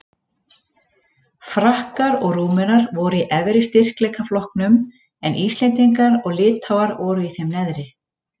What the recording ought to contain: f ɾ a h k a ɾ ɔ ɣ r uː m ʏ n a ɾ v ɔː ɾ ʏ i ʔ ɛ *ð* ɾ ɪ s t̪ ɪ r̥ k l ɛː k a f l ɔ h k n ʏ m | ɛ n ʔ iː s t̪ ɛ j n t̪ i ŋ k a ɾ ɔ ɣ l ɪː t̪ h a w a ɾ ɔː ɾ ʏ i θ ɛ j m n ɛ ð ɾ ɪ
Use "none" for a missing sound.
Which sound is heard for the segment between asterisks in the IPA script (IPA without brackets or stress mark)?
v